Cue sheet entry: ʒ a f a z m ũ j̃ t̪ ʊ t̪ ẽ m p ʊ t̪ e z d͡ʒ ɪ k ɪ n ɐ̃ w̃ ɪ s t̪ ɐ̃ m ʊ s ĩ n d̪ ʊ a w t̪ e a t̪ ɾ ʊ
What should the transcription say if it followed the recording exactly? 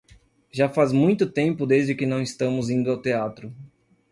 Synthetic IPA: ʒ a f a z m ũ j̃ t̪ ʊ t̪ ẽ m p ʊ d̪ e z d͡ʒ ɪ k ɪ n ɐ̃ w̃ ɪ s t̪ ɐ̃ m ʊ z ĩ n d̪ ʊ a w t̪ e a t̪ ɾ ʊ